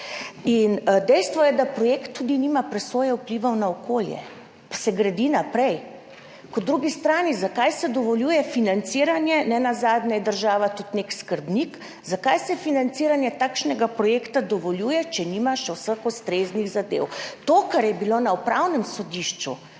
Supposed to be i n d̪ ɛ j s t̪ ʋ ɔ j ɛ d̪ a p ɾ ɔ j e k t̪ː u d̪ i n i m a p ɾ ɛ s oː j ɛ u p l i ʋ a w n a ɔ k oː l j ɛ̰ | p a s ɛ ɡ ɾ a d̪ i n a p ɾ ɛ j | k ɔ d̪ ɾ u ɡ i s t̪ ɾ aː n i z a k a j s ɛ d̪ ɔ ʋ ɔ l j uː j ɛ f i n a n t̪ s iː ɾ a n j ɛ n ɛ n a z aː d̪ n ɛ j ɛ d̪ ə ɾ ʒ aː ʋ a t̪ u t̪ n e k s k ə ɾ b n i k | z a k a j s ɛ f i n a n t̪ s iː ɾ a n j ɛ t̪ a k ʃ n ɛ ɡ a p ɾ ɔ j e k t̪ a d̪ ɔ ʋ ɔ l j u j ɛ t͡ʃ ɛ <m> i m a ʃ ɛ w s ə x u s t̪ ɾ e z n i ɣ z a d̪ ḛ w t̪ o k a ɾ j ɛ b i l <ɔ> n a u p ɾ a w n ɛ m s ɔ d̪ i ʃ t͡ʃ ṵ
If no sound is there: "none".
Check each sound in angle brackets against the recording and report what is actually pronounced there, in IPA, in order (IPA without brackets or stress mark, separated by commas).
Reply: n, o